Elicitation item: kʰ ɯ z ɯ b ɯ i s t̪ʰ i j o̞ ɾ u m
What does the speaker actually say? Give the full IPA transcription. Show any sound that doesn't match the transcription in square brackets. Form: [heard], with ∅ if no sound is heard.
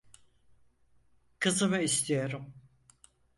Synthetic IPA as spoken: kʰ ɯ z ɯ [m] ɯ i s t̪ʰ i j o̞ ɾ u m